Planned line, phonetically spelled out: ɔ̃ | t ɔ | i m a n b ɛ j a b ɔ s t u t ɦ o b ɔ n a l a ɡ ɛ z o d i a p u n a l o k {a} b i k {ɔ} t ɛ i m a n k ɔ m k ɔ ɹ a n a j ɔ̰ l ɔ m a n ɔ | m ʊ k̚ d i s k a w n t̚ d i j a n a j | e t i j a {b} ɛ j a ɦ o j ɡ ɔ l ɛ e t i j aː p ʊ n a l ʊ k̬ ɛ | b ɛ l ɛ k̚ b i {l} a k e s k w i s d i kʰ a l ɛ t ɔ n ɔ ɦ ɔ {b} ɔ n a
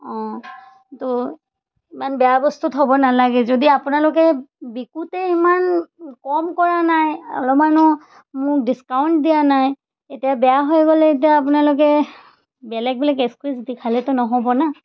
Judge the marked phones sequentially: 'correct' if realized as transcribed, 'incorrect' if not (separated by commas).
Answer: incorrect, incorrect, correct, correct, correct